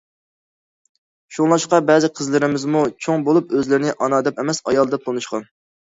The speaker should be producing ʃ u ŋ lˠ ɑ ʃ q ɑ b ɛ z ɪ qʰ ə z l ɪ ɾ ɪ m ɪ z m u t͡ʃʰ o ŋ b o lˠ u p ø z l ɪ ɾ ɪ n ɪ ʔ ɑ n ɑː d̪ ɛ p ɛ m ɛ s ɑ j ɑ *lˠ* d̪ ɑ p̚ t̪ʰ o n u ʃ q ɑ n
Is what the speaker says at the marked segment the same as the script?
yes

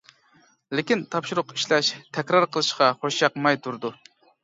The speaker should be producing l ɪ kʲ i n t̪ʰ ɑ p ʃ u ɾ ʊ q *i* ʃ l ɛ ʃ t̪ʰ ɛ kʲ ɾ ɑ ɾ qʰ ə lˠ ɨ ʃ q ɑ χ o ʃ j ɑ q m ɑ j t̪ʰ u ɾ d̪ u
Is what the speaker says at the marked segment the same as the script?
yes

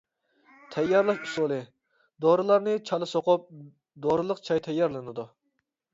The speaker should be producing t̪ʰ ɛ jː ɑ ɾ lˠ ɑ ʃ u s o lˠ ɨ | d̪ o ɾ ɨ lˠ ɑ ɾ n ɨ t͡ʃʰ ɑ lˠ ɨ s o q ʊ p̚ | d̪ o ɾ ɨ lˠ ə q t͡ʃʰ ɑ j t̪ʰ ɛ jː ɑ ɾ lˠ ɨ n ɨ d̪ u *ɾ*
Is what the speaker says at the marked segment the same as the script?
no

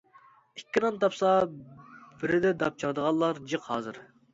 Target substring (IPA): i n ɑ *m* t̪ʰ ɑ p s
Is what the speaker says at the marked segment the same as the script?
no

